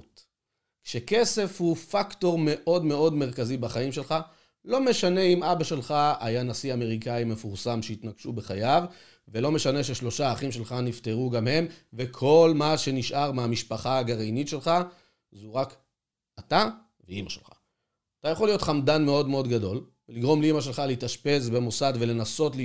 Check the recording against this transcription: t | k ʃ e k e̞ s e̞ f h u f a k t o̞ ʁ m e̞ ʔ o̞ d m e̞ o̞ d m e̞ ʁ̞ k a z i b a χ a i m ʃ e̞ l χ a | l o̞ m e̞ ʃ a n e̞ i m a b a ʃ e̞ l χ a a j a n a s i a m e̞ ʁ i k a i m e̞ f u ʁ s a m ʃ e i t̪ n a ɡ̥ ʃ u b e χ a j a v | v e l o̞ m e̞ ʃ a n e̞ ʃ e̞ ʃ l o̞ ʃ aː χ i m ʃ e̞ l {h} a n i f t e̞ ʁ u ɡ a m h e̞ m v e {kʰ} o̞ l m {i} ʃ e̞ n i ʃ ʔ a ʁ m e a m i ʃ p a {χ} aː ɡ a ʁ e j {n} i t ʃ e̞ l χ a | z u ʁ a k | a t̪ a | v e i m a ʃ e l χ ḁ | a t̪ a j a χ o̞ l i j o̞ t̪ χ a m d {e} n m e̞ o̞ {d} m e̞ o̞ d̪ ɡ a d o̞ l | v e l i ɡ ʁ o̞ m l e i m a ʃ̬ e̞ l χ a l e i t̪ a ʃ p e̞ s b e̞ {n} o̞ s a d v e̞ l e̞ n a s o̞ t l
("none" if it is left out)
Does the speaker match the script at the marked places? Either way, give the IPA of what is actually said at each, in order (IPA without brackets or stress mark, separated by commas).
χ, kʰ, a, χ, n, a, d, m